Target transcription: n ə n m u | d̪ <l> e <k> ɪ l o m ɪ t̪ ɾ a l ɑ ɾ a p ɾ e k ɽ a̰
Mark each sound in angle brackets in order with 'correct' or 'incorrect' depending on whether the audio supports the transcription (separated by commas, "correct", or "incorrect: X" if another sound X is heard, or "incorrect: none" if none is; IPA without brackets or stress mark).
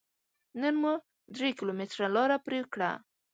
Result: incorrect: ɾ, correct